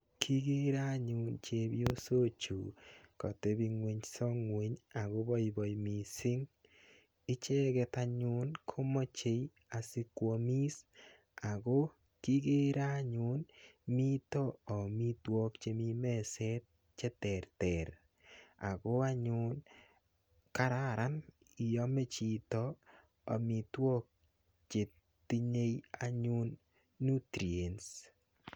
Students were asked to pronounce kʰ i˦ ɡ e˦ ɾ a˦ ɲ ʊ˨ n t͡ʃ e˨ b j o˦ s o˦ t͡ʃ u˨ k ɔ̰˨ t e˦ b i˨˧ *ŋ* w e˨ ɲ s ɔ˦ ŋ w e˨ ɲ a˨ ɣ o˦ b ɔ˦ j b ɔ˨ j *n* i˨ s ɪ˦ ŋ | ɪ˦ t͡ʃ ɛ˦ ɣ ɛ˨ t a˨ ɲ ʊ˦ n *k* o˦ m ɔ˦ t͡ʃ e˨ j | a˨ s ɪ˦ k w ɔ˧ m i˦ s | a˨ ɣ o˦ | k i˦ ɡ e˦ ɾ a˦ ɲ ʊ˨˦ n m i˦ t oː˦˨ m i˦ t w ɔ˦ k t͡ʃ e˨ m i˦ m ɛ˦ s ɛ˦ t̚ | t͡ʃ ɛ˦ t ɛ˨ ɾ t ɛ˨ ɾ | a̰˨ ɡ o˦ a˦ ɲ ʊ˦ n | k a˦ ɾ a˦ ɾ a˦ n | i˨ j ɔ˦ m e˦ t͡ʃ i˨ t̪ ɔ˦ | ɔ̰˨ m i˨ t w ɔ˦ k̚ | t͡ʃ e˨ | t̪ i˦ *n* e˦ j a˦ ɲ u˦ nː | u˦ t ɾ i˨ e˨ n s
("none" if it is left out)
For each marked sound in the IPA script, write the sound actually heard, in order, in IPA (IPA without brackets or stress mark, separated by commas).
ŋ, m, kʰ, ɲ